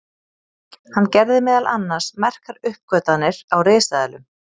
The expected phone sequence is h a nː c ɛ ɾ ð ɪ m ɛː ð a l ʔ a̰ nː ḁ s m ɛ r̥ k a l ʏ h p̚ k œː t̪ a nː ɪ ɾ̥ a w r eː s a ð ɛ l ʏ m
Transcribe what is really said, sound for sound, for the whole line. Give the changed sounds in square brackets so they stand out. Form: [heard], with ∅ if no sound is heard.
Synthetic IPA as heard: h a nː c ɛ ɾ ð ɪ m ɛː ð a l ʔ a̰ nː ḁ s m ɛ r̥ k a [ɾ] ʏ h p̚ k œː t̪ a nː ɪ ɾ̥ a w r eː s a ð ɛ l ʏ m

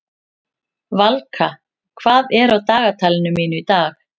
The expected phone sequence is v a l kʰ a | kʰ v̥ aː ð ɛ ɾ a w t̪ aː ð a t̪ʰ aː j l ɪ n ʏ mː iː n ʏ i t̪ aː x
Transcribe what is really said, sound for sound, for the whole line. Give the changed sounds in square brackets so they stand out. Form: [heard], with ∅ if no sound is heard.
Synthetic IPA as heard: v a l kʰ a | kʰ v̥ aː ð ɛ ɾ a w t̪ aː [ɣ] a t̪ʰ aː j l ɪ n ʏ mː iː n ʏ i t̪ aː x

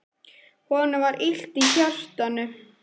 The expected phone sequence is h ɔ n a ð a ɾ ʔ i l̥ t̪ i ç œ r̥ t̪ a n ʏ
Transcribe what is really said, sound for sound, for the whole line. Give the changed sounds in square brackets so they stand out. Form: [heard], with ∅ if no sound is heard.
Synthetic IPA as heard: h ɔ n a [v] a ɾ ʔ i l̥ t̪ i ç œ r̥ t̪ a n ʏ

